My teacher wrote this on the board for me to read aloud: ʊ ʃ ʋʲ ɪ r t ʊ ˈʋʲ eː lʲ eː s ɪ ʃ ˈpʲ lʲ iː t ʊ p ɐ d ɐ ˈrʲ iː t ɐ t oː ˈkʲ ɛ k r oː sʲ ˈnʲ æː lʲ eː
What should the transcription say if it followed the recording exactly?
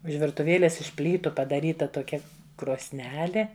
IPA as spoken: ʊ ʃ ʋʲ ɪ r t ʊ ˈʋʲ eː lʲ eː s ɪ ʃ ˈpʲ lʲ iː t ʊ p ɐ d ɐ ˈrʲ iː t ɐ t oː ˈkʲ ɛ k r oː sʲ ˈnʲ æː lʲ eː